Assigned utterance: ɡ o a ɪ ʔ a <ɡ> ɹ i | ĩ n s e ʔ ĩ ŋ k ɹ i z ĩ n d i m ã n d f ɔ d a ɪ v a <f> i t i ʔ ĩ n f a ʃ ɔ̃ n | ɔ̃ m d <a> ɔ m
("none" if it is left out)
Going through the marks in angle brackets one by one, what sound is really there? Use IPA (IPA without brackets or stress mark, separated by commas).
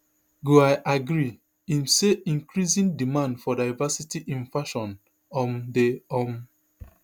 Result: ɡ, s, e